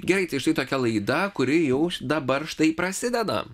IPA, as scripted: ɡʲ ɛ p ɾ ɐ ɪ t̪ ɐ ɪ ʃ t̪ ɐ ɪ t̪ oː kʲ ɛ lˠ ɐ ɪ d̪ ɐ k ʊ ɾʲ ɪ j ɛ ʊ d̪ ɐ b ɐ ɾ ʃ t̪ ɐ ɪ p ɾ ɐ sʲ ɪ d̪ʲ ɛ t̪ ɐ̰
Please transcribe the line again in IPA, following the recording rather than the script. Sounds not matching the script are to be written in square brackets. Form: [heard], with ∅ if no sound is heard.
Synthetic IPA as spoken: ɡʲ ɛ [∅] ɾ ɐ ɪ t̪ ɐ ɪ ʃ t̪ ɐ ɪ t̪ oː kʲ ɛ lˠ ɐ ɪ d̪ ɐ k ʊ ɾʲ ɪ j ɛ ʊ d̪ ɐ b ɐ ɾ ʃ t̪ ɐ ɪ p ɾ ɐ sʲ ɪ d̪ʲ ɛ [d̪] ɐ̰

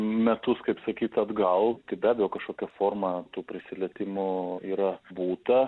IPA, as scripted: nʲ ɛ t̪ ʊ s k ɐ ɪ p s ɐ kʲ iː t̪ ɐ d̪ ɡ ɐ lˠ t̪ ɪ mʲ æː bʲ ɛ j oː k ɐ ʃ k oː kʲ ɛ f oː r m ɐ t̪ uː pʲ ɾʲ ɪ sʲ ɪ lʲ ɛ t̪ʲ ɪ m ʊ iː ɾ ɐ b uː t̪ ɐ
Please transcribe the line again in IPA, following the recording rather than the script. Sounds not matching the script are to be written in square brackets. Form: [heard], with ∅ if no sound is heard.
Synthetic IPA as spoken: [mʲ] ɛ t̪ ʊ s k ɐ ɪ p s ɐ kʲ iː t̪ ɐ d̪ ɡ ɐ lˠ t̪ ɪ [bʲ] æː bʲ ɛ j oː k ɐ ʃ k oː kʲ ɛ f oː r m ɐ t̪ uː pʲ ɾʲ ɪ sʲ ɪ lʲ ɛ t̪ʲ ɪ m ʊ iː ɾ ɐ b uː t̪ ɐ

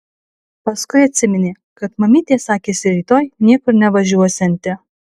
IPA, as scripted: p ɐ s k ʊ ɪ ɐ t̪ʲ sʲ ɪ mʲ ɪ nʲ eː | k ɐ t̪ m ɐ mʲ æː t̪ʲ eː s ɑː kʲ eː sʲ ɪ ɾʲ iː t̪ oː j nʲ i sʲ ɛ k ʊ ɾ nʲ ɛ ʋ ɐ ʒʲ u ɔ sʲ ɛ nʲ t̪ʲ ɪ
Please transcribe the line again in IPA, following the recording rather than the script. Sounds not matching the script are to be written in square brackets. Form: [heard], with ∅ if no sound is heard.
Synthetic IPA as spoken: p ɐ s k ʊ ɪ ɐ t̪ʲ sʲ ɪ mʲ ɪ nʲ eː | k ɐ t̪ m ɐ mʲ [iː] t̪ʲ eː s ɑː kʲ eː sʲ ɪ ɾʲ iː t̪ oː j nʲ i [∅] ɛ k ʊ ɾ nʲ ɛ ʋ ɐ ʒʲ u ɔ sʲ ɛ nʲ t̪ʲ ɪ

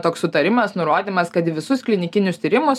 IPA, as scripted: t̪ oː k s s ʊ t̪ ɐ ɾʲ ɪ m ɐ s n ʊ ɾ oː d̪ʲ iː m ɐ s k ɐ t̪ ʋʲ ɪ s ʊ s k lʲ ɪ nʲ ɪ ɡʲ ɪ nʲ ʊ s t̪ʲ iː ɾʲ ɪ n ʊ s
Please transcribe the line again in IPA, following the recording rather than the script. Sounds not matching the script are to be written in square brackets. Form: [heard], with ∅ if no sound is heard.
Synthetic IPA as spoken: t̪ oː k s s ʊ t̪ ɐ ɾʲ ɪ m ɐ s n ʊ ɾ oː d̪ʲ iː m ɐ s k ɐ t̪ ʋʲ ɪ s ʊ s k lʲ ɪ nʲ ɪ [kʲ] ɪ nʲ ʊ s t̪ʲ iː ɾʲ ɪ [m] ʊ s

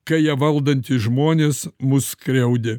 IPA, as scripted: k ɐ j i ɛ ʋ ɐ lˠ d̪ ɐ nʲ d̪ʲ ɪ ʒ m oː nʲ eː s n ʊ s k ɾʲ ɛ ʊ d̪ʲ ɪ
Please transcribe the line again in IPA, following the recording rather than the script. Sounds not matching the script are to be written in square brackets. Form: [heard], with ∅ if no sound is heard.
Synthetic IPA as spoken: k ɐ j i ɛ ʋ ɐ lˠ d̪ ɐ nʲ [t̪ʲ] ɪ ʒ m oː nʲ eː s [m] ʊ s k ɾʲ ɛ ʊ d̪ʲ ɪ

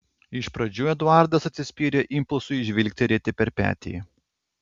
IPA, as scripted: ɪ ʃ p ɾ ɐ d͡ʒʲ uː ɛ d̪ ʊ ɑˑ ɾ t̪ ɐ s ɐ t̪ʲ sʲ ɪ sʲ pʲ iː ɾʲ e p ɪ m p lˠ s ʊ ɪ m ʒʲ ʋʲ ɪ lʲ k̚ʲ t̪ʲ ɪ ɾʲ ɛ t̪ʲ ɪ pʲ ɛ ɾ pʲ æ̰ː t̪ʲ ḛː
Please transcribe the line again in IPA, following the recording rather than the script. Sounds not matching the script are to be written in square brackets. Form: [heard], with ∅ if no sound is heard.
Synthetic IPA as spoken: ɪ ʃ p ɾ ɐ d͡ʒʲ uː ɛ d̪ ʊ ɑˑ ɾ [d̪] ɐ s ɐ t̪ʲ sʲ ɪ sʲ pʲ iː ɾʲ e [ʔ] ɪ m p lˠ s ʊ ɪ [∅] ʒʲ ʋʲ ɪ lʲ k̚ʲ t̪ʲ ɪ ɾʲ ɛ t̪ʲ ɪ pʲ ɛ ɾ pʲ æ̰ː t̪ʲ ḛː

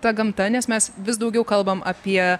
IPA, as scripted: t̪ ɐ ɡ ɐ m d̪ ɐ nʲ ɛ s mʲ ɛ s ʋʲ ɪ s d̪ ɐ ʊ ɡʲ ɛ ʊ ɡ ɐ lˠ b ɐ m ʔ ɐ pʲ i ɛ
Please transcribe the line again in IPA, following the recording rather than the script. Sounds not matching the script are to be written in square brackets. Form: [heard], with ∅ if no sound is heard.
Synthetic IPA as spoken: t̪ ɐ ɡ ɐ m [t̪] ɐ nʲ ɛ s mʲ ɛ s ʋʲ ɪ s d̪ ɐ ʊ ɡʲ ɛ ʊ [k] ɐ lˠ b ɐ m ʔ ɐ pʲ i ɛ

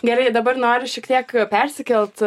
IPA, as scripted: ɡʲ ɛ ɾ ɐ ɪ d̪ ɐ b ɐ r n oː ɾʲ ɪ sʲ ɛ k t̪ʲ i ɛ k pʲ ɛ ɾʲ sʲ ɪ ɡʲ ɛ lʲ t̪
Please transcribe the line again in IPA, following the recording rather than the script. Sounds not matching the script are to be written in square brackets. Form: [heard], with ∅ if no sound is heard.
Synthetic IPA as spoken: ɡʲ ɛ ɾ ɐ ɪ d̪ ɐ b ɐ r n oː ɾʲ ɪ [ʃʲ] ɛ k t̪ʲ i ɛ k pʲ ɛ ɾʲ sʲ ɪ [kʲ] ɛ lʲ t̪

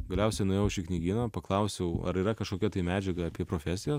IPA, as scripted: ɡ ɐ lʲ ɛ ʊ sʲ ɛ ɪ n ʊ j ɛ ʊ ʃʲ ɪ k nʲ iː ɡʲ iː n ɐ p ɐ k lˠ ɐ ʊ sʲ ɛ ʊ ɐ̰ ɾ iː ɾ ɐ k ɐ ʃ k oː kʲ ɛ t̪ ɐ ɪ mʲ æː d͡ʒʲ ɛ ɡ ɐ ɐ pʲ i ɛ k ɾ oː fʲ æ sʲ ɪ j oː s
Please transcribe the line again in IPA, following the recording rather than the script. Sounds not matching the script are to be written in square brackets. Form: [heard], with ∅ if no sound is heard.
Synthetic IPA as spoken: ɡ ɐ lʲ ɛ ʊ sʲ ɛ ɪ n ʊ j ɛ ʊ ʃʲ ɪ k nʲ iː ɡʲ iː n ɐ p ɐ k lˠ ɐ ʊ sʲ ɛ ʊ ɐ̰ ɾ iː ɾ ɐ k ɐ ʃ k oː kʲ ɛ t̪ ɐ ɪ mʲ æː d͡ʒʲ ɛ ɡ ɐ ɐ pʲ i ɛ [p] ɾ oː fʲ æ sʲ ɪ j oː s

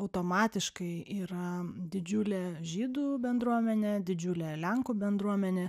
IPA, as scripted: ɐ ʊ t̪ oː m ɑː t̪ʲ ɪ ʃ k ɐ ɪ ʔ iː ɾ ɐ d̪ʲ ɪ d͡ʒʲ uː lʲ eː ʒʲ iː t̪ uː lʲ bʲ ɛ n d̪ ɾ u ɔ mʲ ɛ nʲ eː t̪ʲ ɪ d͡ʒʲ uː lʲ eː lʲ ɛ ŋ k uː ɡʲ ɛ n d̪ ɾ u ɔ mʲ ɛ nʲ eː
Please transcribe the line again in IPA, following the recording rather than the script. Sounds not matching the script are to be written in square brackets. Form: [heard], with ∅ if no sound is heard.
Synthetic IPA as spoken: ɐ ʊ t̪ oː m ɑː t̪ʲ ɪ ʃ k ɐ ɪ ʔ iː ɾ ɐ d̪ʲ ɪ d͡ʒʲ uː lʲ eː ʒʲ iː [d̪] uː [∅] bʲ ɛ n d̪ ɾ u ɔ mʲ ɛ nʲ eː [d̪ʲ] ɪ d͡ʒʲ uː lʲ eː lʲ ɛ ŋ k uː [bʲ] ɛ n d̪ ɾ u ɔ mʲ ɛ nʲ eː

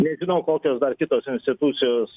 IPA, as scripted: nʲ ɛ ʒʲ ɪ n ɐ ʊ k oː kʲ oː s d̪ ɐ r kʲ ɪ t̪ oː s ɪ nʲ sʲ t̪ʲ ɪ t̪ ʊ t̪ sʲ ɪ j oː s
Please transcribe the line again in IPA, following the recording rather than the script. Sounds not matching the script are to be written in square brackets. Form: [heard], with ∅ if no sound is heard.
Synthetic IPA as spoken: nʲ ɛ ʒʲ ɪ n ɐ ʊ k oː kʲ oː s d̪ ɐ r kʲ ɪ t̪ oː s ɪ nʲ sʲ t̪ʲ ɪ t̪ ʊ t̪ sʲ ɪ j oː s

